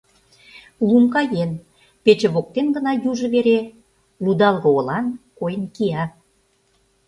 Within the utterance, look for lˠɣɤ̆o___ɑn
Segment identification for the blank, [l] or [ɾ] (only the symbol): l